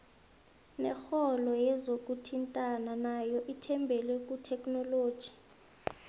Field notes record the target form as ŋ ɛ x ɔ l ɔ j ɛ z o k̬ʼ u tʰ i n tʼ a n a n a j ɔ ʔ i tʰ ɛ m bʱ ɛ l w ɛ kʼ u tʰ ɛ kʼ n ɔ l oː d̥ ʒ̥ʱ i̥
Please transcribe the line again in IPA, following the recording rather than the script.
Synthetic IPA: n ɛ x ɔ l ɔ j ɛ z o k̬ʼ u tʰ i n tʼ a n a n a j ɔ ʔ i tʰ ɛ m bʱ ɛ l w ɛ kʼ u tʰ ɛ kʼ n ɔ l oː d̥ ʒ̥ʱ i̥